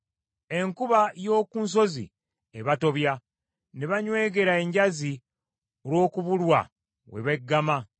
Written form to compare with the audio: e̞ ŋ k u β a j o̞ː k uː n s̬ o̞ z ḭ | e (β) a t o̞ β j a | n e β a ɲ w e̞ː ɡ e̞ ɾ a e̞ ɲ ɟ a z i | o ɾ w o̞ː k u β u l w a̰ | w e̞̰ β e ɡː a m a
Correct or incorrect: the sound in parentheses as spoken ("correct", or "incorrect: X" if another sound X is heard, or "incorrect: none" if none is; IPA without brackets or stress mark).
correct